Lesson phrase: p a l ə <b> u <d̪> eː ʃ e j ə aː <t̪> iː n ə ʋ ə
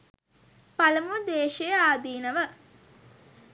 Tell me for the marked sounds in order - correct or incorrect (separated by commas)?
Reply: incorrect, correct, incorrect